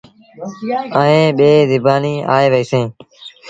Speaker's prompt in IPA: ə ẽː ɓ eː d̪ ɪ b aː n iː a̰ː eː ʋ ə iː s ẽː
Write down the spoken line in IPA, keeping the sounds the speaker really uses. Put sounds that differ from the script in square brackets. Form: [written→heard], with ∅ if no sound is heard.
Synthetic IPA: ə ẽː ɓ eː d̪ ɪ b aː n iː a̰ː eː ʋ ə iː s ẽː